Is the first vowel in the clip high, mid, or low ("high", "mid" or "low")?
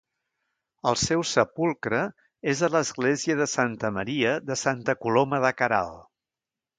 mid